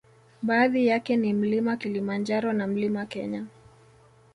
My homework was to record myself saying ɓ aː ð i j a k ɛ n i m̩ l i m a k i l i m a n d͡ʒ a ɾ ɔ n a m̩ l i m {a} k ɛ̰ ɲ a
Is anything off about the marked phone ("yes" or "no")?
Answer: no